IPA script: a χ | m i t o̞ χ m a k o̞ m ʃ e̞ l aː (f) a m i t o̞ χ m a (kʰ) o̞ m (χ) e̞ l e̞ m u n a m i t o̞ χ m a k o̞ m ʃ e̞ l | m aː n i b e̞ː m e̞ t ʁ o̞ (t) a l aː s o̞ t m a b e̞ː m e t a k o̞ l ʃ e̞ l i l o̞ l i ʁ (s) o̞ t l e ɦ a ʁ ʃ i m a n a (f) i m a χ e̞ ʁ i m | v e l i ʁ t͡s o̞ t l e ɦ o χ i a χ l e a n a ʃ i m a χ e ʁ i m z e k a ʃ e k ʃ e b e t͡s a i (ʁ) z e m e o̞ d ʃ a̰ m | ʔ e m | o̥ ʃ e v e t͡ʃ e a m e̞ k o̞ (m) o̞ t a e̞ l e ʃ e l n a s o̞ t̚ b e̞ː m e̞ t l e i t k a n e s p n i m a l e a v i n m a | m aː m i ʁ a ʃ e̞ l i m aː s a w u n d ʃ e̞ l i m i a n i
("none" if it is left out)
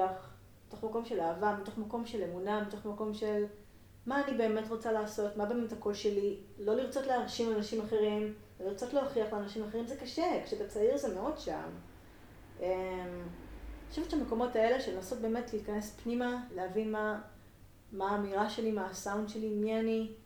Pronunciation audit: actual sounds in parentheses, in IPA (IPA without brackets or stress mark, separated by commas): v, k, ʃ, t͡s, t͡s, ʃ, ʁ, m